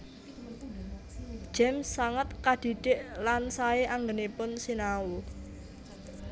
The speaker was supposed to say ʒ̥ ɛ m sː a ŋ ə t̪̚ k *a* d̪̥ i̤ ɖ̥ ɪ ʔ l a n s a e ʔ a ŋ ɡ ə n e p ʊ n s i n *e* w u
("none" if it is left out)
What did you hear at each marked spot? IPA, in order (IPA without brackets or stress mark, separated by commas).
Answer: a, a